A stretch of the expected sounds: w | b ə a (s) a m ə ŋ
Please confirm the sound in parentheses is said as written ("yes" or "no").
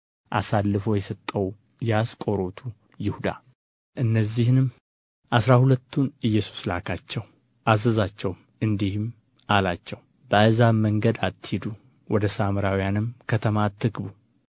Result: no